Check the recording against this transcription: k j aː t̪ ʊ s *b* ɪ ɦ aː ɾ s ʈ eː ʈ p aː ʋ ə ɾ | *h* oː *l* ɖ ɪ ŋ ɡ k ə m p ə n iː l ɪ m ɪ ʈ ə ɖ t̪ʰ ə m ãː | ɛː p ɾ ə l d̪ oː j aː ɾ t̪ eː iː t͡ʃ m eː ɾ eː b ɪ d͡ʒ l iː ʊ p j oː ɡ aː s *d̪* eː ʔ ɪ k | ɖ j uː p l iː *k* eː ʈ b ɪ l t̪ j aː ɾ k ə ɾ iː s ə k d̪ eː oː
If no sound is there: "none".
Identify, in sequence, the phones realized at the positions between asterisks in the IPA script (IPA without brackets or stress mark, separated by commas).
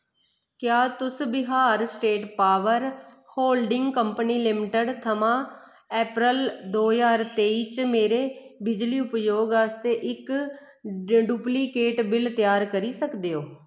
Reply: b, h, l, t̪, k